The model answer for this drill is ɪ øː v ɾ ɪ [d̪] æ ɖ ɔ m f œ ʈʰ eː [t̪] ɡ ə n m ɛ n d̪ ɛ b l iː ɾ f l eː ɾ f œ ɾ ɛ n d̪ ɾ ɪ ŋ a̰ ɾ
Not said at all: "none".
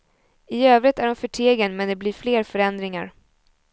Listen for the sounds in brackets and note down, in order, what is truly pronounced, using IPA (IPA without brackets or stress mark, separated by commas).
t̪, none